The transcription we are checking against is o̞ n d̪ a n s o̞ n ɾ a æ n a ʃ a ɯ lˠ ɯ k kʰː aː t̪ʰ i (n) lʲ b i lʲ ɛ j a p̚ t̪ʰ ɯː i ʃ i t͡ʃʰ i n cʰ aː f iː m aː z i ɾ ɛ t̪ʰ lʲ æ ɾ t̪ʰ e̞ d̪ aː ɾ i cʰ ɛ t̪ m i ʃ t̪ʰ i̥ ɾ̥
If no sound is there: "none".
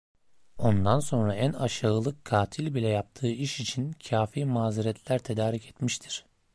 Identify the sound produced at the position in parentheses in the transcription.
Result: none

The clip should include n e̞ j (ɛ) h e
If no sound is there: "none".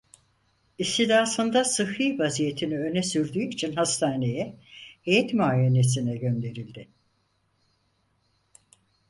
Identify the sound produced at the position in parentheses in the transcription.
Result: ɛ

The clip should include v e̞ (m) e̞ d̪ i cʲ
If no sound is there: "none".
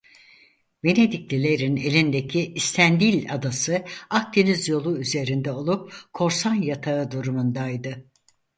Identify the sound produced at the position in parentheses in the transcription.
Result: n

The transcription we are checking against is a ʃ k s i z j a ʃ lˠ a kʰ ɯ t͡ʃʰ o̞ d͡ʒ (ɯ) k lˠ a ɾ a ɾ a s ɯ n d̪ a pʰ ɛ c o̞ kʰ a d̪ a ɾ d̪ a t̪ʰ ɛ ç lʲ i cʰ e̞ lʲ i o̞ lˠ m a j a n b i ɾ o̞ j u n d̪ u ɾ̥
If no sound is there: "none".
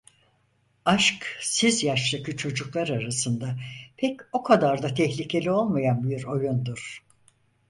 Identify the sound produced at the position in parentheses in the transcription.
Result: u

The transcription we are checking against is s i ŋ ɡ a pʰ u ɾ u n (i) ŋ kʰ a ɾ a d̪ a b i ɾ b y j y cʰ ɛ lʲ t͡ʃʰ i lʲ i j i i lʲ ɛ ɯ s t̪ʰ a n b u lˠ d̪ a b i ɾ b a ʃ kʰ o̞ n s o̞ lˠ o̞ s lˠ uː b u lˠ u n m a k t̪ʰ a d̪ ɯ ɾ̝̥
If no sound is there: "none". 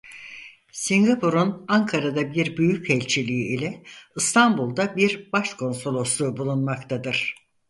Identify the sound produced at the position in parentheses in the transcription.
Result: a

